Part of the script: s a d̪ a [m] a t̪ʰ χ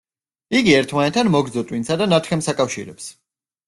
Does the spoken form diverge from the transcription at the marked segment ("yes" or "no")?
yes